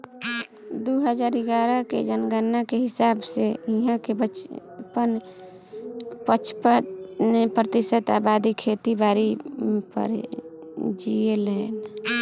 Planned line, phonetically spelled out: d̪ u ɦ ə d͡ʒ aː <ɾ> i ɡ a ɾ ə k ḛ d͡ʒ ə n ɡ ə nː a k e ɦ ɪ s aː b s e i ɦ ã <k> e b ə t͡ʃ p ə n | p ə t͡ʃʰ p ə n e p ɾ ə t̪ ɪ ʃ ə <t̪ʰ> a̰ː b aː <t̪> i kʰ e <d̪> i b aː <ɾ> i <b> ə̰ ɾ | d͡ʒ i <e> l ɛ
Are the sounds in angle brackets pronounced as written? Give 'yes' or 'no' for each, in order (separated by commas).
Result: yes, yes, no, no, no, yes, no, yes